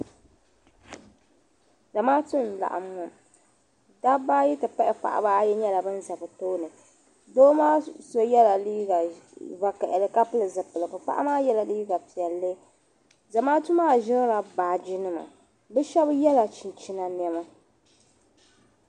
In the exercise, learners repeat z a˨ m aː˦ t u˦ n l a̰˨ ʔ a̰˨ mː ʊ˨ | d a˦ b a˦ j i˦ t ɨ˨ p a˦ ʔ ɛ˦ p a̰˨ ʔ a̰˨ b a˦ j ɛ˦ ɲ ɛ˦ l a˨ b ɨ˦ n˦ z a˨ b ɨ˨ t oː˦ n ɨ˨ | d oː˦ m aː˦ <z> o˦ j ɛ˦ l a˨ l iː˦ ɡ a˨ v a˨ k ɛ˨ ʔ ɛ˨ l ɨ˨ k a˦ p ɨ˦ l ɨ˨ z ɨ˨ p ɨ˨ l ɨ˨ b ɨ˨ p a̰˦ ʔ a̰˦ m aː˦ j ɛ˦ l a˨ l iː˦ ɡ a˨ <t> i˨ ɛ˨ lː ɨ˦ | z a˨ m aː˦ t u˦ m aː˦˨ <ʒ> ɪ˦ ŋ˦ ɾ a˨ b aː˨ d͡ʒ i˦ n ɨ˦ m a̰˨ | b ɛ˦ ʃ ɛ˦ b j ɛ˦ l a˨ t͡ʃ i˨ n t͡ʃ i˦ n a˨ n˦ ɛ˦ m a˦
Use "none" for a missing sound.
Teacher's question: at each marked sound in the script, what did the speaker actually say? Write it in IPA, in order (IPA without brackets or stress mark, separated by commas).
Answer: s, p, ʒ